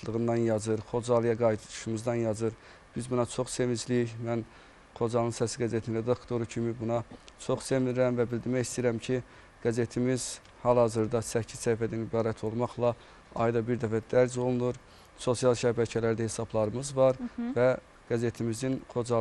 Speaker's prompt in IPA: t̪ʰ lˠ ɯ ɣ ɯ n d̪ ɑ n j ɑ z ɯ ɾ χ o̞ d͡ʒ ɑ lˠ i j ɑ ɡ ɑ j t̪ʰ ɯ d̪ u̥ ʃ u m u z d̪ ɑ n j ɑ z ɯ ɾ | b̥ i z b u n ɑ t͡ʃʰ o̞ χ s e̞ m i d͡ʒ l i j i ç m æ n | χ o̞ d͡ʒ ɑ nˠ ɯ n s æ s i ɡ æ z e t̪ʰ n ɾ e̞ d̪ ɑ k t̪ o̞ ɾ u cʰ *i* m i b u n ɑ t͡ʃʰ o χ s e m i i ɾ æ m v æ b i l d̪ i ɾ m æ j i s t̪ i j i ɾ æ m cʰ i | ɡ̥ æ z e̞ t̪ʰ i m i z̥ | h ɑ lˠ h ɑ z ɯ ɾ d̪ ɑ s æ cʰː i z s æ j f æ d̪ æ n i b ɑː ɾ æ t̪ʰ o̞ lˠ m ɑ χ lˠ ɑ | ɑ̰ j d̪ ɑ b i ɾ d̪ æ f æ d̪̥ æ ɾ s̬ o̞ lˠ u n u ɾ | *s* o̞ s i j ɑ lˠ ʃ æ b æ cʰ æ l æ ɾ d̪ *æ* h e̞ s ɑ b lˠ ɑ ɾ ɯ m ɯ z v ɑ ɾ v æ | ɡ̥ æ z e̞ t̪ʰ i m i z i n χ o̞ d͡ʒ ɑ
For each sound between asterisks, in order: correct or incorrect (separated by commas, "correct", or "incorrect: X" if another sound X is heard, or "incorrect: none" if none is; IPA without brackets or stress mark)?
correct, correct, correct